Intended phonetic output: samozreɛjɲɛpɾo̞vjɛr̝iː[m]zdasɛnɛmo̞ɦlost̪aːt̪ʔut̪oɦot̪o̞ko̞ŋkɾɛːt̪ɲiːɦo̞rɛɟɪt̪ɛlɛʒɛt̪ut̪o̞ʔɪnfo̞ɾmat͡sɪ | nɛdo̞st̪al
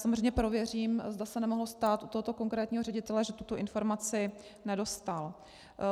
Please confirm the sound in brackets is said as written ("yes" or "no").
yes